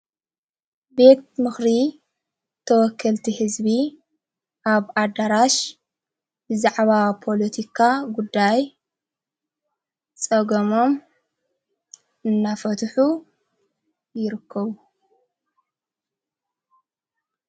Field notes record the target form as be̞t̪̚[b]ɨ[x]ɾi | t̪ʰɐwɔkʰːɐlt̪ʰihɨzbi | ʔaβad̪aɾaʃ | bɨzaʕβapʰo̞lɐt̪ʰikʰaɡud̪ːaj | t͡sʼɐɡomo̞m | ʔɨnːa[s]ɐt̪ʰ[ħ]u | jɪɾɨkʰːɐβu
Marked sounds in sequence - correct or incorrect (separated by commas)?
incorrect, correct, incorrect, correct